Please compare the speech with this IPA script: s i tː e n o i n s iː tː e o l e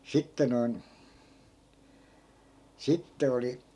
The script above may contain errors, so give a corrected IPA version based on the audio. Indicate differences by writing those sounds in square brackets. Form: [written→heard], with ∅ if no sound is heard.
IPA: s i tː e n o i n s [iː→i] tː e o l [e→i]

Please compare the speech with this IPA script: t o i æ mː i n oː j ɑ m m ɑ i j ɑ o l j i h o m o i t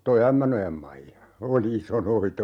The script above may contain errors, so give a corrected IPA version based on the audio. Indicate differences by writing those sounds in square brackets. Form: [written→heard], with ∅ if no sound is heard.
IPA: t o i æ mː [i→æ] n [oː→o] j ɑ m m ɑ i j ɑ o l [j→i] i [h→s] o [m→n] o i t

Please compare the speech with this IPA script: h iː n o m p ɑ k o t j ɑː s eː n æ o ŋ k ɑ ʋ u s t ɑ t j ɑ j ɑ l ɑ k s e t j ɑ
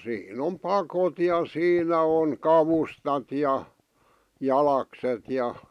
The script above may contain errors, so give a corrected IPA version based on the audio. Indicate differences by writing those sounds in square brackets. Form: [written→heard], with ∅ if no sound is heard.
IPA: [h→s] iː n o m p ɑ k o t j [ɑː→ɑ] s [eː→iː] n æ o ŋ k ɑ ʋ u s t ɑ t j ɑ j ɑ l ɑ k s e t j ɑ

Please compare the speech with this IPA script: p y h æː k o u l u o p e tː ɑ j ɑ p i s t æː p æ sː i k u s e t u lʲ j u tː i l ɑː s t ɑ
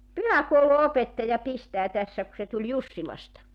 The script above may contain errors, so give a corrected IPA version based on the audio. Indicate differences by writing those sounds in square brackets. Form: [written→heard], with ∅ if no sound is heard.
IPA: p y h [æː→æ] k o u l u o p e tː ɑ j ɑ p i s t æː [p→t] æ sː [i→æ] k u s e t u lʲ j u [tː→sː] i l [ɑː→ɑ] s t ɑ

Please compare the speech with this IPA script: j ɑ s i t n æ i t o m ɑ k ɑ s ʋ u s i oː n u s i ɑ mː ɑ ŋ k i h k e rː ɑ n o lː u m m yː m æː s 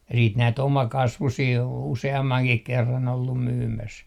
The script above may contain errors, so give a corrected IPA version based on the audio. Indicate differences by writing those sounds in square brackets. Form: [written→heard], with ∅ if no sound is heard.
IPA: j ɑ s [i→iː] t n æ i t o m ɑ k ɑ s ʋ u s [i→iː] oː n u s [i→e] ɑ mː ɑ ŋ k i h k e rː ɑ n o lː u m m yː m [æː→æ] s

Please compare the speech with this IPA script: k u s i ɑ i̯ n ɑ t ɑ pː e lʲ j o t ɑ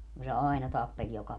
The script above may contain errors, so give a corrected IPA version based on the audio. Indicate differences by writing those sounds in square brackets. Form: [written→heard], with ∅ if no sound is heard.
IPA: k u s [i→e] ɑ i̯ n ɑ t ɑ pː e lʲ j o [t→k] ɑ

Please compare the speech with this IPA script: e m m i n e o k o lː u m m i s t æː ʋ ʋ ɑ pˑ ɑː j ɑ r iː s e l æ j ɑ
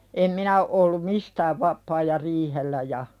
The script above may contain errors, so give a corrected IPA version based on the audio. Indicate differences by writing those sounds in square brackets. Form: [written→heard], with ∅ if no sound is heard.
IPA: e m m i n [e→æ] o [k→ʔ] o lː u m m i s t æː ʋ ʋ ɑ pˑ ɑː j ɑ r iː [s→h] e [l→lː] æ j ɑ

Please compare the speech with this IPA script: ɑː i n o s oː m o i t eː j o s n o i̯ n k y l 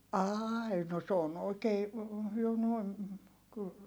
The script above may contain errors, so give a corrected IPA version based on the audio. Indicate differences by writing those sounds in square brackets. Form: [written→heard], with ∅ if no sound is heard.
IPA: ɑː i n o s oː [m→n] o i [t→k] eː j o [s→∅] n o i̯ n k y l

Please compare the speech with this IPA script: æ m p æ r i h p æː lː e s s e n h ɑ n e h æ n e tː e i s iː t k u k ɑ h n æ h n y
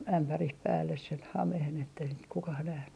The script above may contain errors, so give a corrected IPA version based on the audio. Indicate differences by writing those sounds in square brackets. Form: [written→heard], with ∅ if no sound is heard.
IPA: æ m p æ r i h p æː lː e s s e n h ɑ [n→m] e h [æ→e] n e tː e i s [iː→i] t k u k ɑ h n æ h n y

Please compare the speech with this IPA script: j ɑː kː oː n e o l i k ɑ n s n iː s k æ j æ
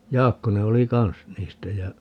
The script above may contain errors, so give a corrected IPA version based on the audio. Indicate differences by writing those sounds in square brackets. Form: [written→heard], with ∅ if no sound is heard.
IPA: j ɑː kː [oː→o] n e o l i k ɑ n s n iː s [k→t] æ j æ

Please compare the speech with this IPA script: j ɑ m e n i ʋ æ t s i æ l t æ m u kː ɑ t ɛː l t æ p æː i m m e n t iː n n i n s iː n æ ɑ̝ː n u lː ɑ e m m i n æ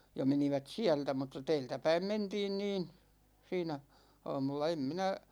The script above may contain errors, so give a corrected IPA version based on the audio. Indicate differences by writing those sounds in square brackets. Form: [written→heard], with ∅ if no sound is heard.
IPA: j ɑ m e n i ʋ æ t s i æ l t æ m u [kː→tː] ɑ t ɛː l t æ p [æː→æ] i m m e n t iː n n [i→iː] n s iː n æ ɑ̝ː [n→m] u lː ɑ e m m i n æ

